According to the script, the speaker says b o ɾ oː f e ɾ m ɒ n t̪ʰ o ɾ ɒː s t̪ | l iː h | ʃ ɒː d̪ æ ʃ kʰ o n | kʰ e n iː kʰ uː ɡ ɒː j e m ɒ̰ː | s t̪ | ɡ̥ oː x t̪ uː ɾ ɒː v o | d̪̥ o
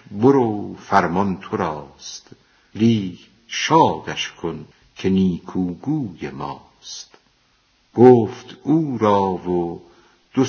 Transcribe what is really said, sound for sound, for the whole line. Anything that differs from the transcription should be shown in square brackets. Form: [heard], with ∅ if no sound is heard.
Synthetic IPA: b o ɾ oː f [æ] ɾ m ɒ n t̪ʰ o ɾ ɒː s t̪ | l iː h | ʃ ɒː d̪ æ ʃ kʰ o n | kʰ e n iː kʰ uː ɡ [uː] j e m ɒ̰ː | s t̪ | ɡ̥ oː [f] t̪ uː ɾ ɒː v o | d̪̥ o